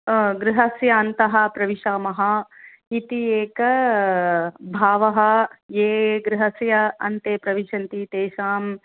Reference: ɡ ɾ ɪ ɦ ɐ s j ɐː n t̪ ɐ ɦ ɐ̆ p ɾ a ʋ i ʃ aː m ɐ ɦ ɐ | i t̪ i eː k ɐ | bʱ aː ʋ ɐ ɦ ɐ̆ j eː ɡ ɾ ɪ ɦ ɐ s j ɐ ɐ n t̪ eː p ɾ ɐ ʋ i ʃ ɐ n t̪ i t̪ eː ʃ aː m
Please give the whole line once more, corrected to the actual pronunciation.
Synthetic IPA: ɡ ɾ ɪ ɦ ɐ s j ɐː n t̪ ɐ ɦ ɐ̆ p ɾ ɐ ʋ i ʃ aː m ɐ ɦ ɐ | i t̪ i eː k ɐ | bʱ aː ʋ ɐ ɦ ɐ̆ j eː ɡ ɾ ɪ ɦ ɐ s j ɐ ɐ n t̪ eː p ɾ ɐ ʋ i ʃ ɐ n t̪ i t̪ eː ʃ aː m

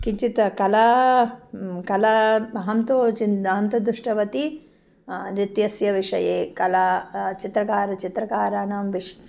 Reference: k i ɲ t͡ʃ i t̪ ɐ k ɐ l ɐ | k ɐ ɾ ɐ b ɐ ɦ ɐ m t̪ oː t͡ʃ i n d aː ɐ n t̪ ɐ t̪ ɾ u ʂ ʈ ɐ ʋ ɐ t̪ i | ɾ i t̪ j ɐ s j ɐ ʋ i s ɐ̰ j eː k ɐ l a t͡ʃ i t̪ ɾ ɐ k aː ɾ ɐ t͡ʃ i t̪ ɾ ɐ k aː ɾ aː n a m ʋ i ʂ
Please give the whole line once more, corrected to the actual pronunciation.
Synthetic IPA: k i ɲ t͡ʃ i t̪ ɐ k ɐ l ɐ | k ɐ l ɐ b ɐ ɦ ɐ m t̪ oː t͡ʃ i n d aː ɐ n t̪ ɐ d̪ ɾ u ʂ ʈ ɐ ʋ ɐ t̪ i | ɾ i t̪ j ɐ s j ɐ ʋ i ʂ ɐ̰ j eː k ɐ l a t͡ʃ i t̪ ɾ ɐ k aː ɾ ɐ t͡ʃ i t̪ ɾ ɐ k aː ɾ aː n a m ʋ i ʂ

